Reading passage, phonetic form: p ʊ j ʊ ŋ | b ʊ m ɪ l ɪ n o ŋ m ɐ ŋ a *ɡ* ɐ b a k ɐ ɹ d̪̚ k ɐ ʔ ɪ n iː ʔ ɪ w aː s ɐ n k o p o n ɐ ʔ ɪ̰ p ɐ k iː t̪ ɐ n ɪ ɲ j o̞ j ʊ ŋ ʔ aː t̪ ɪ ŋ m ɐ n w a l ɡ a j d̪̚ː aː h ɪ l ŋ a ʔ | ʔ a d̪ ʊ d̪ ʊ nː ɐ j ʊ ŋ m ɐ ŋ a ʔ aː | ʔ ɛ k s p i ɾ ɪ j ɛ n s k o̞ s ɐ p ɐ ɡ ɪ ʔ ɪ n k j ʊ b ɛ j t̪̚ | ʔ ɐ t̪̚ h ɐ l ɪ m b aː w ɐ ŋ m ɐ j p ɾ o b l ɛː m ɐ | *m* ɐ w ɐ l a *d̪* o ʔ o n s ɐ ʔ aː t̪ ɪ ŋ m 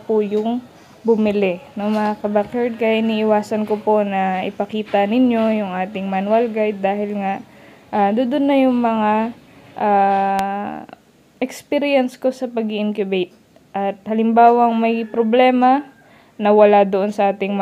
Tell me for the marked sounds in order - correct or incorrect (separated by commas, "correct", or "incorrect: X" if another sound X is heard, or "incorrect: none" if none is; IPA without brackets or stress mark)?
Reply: incorrect: k, incorrect: n, correct